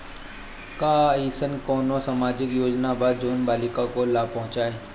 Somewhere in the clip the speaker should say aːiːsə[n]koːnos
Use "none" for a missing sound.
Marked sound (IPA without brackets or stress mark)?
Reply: n